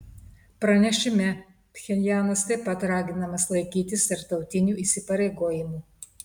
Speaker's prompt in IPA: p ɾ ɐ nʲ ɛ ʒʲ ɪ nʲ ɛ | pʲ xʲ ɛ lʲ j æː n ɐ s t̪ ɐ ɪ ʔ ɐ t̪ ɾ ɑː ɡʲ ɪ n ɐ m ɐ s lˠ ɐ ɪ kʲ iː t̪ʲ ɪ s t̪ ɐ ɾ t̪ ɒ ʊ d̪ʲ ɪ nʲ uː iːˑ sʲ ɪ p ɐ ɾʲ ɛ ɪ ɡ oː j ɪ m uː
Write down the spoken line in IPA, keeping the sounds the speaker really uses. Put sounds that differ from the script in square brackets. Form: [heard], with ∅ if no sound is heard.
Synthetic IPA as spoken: p ɾ ɐ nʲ ɛ [ʃʲ] ɪ [mʲ] ɛ | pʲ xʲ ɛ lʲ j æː n ɐ s t̪ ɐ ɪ [p] ɐ t̪ ɾ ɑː ɡʲ ɪ n ɐ m ɐ s lˠ ɐ ɪ kʲ iː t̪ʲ ɪ s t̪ ɐ ɾ t̪ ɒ ʊ [t̪ʲ] ɪ nʲ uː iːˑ sʲ ɪ p ɐ ɾʲ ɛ ɪ ɡ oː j ɪ m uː